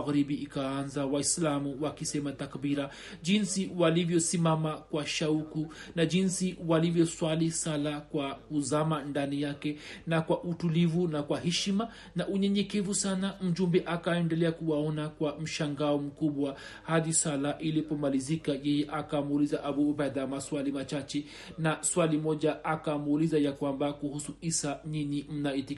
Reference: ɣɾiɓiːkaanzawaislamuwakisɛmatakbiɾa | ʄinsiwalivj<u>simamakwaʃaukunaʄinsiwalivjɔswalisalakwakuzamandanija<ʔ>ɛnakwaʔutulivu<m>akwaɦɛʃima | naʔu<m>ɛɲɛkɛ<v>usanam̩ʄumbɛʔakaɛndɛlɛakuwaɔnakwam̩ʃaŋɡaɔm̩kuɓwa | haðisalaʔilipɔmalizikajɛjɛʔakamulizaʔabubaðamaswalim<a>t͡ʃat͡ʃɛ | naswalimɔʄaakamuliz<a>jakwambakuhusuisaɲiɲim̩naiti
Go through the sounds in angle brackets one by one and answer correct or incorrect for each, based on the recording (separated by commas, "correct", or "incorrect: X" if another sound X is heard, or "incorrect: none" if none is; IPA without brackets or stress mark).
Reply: incorrect: ɔ, incorrect: k, incorrect: n, incorrect: ɲ, correct, correct, correct